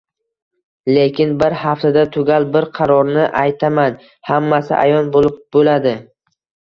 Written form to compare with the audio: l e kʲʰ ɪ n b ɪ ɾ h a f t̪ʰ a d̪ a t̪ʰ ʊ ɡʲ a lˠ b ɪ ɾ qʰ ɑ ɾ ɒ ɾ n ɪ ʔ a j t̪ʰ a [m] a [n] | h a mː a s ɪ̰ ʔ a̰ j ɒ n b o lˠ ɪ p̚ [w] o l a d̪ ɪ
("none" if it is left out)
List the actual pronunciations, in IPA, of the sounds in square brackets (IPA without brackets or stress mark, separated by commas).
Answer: m, n, b